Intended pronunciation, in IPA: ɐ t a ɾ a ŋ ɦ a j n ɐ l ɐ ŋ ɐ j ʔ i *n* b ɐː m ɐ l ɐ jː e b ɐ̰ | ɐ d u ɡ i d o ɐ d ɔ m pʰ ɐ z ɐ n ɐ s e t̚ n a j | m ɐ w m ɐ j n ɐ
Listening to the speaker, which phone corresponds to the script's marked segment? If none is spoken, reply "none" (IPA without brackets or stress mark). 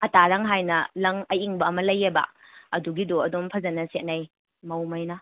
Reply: ŋ